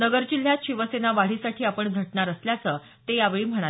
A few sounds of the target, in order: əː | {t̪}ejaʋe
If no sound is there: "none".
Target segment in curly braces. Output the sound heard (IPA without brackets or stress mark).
t̪